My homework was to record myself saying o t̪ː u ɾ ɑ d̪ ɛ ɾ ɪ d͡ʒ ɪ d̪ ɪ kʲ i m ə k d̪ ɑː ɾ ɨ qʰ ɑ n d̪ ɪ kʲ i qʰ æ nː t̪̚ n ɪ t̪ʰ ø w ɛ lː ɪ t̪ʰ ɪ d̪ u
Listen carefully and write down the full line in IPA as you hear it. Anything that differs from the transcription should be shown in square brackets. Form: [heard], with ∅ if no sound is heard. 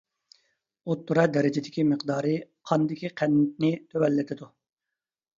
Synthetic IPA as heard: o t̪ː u ɾ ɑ d̪ ɛ ɾ ɪ d͡ʒ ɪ d̪ ɪ kʲ i m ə [q] d̪ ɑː ɾ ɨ qʰ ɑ n d̪ ɪ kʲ i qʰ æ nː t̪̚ n ɪ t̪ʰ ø w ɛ lː ɪ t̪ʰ ɪ d̪ u